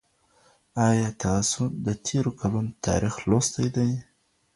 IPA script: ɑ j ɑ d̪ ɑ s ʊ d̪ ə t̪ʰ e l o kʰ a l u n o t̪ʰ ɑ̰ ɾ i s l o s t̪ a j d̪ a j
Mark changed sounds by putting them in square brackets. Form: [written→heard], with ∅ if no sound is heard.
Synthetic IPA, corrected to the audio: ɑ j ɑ [d̪→t̪] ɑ s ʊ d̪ ə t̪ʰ e [l→ɾ] o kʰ a l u n o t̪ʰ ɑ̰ ɾ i [s→x] l o s t̪ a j d̪ a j